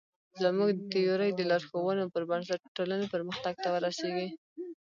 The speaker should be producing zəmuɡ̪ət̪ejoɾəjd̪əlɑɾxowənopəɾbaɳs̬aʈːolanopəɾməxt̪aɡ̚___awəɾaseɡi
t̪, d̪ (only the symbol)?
t̪